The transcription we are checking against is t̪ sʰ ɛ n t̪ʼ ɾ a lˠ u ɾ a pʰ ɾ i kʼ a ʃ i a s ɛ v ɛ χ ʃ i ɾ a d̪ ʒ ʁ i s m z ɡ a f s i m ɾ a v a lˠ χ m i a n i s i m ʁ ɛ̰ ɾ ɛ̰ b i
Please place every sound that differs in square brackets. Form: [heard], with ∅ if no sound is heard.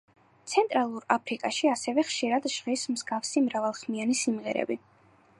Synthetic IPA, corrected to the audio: t̪ sʰ ɛ n t̪ʼ ɾ a lˠ u ɾ a pʰ ɾ i kʼ a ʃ i a s ɛ v ɛ χ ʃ i ɾ a d̪ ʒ ʁ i s m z ɡ a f s i m ɾ a v a lˠ χ m i a n i s i m ʁ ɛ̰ ɾ ɛ̰ b i